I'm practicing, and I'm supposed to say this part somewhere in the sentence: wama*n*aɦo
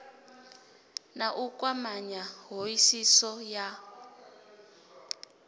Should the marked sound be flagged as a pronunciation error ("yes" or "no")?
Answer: yes